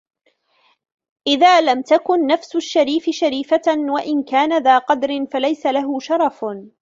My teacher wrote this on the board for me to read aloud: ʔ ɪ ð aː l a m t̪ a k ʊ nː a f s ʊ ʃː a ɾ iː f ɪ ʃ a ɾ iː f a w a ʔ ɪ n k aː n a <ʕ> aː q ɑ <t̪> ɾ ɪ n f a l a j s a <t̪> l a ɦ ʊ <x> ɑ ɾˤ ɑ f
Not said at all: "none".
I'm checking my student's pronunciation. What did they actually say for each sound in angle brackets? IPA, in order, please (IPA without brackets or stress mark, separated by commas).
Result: ð, d̪, none, ʃ